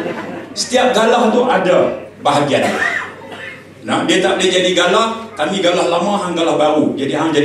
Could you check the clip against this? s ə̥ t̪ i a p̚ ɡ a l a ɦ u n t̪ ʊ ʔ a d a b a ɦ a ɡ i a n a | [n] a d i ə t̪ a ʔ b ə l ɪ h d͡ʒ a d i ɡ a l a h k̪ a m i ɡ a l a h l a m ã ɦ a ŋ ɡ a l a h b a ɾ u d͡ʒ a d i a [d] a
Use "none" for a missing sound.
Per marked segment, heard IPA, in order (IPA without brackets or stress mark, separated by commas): n, d͡ʒ